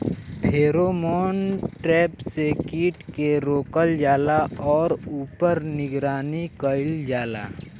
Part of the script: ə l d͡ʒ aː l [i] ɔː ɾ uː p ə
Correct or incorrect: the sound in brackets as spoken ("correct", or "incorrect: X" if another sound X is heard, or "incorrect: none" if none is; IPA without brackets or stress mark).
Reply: incorrect: a